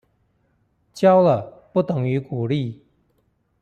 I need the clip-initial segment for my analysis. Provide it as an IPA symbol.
t͡ɕ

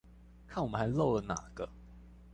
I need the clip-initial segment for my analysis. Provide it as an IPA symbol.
kʰ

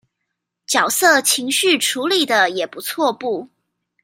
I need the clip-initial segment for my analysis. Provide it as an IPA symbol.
t͡ɕ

